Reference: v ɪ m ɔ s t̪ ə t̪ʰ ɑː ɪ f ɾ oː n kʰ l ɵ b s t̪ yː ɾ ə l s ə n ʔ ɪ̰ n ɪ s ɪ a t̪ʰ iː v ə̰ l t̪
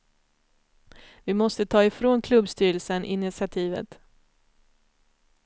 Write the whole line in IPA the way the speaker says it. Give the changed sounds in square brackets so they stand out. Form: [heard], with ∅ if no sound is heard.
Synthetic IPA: v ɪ m ɔ s t̪ ə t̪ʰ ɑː ɪ f ɾ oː n kʰ l ɵ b s t̪ yː ɾ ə l s ə n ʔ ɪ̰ n ɪ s ɪ a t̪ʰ iː v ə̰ [∅] t̪